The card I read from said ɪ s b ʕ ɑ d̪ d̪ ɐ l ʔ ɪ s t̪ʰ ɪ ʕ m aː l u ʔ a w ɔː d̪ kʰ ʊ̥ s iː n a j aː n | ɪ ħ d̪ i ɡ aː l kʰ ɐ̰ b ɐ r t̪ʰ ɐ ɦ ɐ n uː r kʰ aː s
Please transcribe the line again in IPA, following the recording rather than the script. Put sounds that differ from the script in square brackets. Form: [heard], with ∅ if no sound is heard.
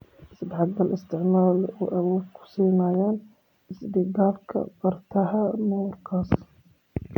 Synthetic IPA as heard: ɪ s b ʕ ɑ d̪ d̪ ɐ l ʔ ɪ s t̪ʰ ɪ ʕ m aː l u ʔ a w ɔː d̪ kʰ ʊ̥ s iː n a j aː n | ɪ [s] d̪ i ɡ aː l kʰ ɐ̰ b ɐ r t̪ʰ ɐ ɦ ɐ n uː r kʰ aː s